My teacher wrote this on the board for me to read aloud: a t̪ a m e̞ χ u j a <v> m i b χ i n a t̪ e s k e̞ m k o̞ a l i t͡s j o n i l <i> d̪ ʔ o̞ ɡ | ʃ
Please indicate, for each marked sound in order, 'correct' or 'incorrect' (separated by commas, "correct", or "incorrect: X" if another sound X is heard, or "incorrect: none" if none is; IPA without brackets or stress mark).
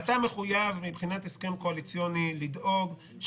correct, correct